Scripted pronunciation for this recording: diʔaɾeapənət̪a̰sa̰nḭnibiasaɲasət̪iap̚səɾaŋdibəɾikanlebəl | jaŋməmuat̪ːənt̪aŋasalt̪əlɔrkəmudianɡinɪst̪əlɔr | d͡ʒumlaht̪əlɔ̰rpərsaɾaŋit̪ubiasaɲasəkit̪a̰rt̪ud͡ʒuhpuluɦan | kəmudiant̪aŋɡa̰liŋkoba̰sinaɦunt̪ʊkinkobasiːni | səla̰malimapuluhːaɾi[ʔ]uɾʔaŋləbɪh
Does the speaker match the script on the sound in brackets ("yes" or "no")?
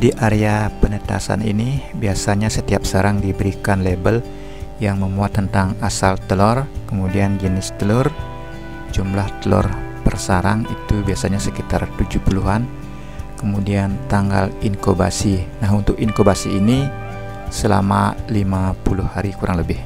no